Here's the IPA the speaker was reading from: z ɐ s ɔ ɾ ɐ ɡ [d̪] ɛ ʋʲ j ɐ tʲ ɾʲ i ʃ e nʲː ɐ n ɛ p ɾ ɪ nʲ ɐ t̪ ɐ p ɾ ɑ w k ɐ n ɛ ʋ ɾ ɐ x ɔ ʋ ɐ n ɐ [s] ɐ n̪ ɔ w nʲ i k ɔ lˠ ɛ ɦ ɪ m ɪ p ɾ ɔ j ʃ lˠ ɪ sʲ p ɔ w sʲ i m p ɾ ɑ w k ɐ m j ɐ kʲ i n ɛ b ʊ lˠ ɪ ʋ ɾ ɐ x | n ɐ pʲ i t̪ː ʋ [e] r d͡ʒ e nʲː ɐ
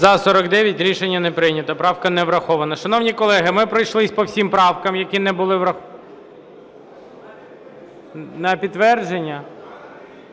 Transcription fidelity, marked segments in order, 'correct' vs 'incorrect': correct, incorrect: ʃ, incorrect: ɛ

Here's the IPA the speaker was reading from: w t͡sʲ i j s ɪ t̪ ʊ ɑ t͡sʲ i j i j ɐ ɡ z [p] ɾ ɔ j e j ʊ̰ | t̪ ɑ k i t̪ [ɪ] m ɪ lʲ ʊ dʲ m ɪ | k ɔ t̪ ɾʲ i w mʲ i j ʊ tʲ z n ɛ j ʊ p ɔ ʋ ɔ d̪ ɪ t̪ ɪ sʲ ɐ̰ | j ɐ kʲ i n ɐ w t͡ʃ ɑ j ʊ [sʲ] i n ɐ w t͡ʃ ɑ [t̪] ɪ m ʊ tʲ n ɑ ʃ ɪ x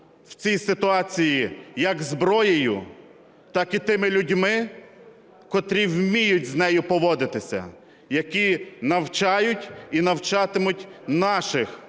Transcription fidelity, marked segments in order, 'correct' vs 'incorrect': incorrect: b, correct, incorrect: tʲ, correct

